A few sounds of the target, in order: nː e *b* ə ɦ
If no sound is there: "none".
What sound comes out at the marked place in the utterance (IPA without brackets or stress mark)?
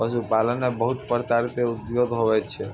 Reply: b